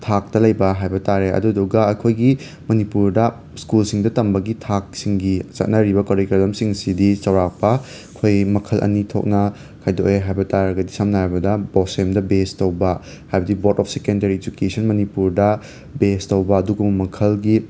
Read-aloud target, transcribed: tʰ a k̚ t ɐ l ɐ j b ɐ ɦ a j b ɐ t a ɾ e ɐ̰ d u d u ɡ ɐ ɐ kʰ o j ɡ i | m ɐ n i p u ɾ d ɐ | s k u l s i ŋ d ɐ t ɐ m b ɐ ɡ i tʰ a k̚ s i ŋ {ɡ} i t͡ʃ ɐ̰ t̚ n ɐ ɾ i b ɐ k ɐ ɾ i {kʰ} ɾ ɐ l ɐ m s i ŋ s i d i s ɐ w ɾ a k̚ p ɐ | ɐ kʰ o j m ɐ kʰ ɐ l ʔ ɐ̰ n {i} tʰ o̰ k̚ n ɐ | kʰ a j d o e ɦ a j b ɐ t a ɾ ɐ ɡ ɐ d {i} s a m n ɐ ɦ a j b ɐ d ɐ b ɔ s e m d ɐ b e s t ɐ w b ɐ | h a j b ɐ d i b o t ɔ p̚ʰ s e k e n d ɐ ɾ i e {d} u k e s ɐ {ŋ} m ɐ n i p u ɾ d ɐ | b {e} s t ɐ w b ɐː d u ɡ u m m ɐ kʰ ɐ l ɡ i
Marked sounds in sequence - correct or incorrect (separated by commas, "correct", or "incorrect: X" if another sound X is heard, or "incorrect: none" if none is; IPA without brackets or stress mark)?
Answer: correct, incorrect: k, correct, correct, incorrect: d͡ʒ, incorrect: n, correct